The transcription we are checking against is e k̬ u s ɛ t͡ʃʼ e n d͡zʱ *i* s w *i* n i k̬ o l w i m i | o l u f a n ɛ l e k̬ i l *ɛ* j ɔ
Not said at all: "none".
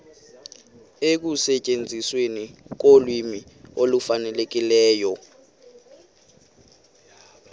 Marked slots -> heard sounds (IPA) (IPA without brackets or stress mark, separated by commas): i, e, ɛː